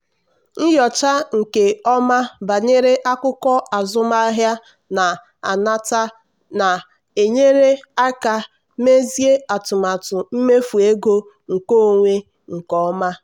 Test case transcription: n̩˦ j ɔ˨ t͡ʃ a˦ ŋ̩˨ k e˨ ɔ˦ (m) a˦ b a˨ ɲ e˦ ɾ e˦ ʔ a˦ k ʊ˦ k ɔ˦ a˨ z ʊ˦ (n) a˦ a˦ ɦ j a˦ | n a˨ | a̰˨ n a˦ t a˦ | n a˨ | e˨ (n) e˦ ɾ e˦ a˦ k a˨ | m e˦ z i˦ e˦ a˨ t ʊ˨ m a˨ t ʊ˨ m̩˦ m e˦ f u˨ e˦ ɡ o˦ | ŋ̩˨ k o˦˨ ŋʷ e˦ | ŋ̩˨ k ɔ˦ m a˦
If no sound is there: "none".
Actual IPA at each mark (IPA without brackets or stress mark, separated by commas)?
m, m, ɲ